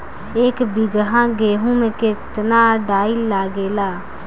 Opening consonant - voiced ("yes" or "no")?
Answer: no